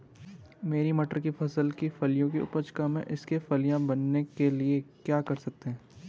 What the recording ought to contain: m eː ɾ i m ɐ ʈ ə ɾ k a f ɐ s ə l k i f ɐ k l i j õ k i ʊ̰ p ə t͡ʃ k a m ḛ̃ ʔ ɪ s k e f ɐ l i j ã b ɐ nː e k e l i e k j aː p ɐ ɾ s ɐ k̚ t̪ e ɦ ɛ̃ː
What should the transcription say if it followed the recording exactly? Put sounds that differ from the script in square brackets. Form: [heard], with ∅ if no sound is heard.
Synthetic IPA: m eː ɾ i m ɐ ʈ ə ɾ k [i] f ɐ s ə l k i f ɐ [∅] l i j õ k i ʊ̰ p ə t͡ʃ k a m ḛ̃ ʔ ɪ s k e f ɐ l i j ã b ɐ nː e k e l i e k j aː [k] ɐ ɾ s ɐ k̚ t̪ e ɦ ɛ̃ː